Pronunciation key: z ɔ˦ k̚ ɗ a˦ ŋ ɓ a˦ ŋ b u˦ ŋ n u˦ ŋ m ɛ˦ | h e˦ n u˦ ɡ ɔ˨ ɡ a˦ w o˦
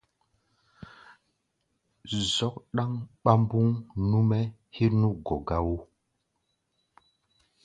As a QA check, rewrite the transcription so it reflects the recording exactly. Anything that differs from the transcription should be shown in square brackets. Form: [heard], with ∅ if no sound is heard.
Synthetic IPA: z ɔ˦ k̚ ɗ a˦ ŋ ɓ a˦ [m] b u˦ ŋ n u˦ [∅] m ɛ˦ | h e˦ n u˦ ɡ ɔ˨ ɡ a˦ w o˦